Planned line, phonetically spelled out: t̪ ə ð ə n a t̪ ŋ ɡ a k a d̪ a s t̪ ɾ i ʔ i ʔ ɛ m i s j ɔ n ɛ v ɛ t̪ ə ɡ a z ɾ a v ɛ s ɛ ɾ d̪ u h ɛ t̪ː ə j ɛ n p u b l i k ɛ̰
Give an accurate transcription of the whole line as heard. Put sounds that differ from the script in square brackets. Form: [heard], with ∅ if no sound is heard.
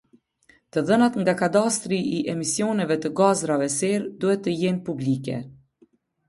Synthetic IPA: t̪ ə ð ə n a t̪ ŋ ɡ a k a d̪ a s t̪ ɾ i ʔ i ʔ ɛ m i s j ɔ n ɛ v ɛ t̪ ə ɡ a z ɾ a v ɛ s ɛ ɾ d̪ u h ɛ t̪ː ə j ɛ n p u b l i k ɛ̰